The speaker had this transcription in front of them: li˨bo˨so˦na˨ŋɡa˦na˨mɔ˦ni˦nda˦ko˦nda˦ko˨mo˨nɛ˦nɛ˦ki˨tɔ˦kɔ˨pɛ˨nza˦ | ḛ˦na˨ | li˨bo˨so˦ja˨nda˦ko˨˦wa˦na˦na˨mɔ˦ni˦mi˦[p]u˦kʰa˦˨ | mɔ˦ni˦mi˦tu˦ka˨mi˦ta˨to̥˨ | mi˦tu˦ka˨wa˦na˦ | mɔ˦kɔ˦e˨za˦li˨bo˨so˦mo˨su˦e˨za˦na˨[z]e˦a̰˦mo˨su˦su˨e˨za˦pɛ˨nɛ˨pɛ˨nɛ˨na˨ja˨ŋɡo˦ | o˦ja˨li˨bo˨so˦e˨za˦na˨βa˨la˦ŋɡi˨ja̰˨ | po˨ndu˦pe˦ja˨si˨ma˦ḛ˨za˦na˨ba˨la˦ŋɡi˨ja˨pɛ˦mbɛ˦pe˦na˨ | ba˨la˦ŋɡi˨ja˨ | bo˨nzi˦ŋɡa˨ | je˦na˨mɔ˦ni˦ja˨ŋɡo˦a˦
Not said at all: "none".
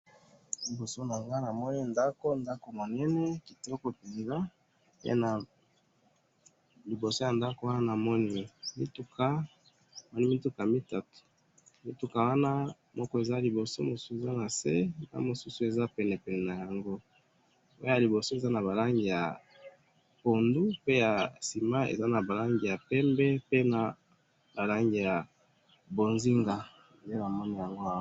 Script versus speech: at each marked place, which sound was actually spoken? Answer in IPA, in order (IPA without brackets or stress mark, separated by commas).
t, s